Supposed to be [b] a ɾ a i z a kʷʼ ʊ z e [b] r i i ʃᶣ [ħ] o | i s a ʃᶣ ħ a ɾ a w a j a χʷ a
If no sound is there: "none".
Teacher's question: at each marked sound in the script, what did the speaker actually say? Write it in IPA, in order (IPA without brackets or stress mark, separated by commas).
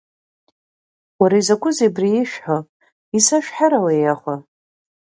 w, b, ħ